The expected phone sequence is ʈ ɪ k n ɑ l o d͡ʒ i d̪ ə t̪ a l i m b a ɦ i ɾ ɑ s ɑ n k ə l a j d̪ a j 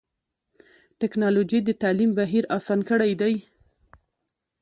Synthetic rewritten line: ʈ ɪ k n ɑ l o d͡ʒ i d̪ ə t̪ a l i m b a ɦ i ɾ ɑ s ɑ n k ə ɽ a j d̪ a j